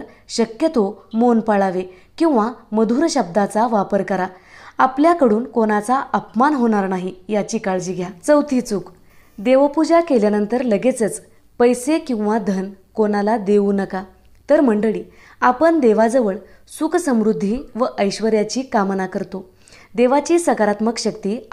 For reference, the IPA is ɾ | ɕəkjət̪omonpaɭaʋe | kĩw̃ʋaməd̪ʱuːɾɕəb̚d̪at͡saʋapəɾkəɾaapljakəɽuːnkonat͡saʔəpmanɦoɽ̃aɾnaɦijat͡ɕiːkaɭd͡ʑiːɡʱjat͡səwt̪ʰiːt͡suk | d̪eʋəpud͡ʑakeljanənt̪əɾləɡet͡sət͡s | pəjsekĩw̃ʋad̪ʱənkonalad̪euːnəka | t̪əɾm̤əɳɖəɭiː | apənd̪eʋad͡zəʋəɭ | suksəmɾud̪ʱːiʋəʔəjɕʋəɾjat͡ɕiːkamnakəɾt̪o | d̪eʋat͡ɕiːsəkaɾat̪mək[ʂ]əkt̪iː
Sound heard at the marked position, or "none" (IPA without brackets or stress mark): ɕ